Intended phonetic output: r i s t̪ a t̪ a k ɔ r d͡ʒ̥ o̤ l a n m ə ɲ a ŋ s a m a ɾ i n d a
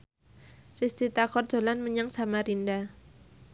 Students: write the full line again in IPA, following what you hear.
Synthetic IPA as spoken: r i s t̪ i t̪ a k ɔ r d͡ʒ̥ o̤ l a n m ə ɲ a ŋ s a m a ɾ i n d a